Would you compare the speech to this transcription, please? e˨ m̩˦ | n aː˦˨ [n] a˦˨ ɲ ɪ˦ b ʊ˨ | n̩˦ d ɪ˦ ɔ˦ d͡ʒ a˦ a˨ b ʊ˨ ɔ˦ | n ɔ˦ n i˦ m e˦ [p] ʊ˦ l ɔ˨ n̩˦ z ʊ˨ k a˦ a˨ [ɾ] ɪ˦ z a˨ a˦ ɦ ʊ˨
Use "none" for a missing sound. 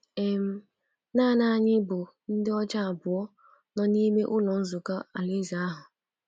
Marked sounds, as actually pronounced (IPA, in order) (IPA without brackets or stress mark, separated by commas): n, ʔ, l